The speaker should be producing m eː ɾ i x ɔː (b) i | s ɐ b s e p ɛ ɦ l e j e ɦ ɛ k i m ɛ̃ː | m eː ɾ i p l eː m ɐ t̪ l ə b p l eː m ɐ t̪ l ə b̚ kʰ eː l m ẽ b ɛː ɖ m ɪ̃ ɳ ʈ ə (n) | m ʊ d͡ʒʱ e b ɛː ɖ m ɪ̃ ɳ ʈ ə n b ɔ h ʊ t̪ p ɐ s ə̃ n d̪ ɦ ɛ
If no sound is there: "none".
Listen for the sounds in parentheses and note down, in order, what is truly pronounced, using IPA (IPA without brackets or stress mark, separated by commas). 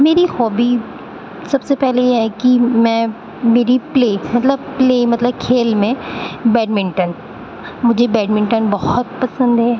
b, n